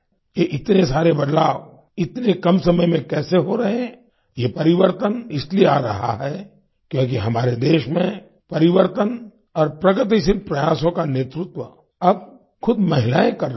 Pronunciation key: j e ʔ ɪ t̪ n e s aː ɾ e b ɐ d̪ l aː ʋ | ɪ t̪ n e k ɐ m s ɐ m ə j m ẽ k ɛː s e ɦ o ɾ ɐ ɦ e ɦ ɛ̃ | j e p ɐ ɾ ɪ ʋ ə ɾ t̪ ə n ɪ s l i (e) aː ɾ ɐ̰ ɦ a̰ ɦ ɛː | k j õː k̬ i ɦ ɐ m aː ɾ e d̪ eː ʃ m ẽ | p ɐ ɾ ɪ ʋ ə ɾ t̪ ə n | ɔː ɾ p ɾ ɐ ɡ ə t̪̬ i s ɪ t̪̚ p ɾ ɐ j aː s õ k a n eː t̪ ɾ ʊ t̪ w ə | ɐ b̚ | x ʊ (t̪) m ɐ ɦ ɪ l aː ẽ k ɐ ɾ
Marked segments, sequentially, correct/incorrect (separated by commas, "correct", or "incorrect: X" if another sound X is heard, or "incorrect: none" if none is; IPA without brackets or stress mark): correct, incorrect: d̪